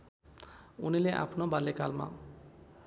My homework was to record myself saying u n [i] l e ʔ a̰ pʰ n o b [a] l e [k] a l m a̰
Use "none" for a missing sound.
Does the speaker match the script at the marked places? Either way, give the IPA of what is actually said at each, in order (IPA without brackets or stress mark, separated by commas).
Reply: i, a, k